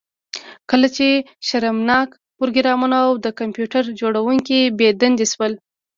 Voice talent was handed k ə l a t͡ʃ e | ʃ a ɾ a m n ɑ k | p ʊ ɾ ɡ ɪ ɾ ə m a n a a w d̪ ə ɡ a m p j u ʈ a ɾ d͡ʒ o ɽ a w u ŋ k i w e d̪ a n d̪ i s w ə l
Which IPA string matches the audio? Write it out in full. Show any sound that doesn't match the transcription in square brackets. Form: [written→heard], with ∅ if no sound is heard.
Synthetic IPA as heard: k ə l a t͡ʃ e | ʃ a ɾ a m n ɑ k | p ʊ ɾ ɡ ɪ ɾ [ə→ɑ] m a n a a w d̪ ə [ɡ→k] a m p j u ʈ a ɾ d͡ʒ o ɽ a w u ŋ k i [w→b] e d̪ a n d̪ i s w ə l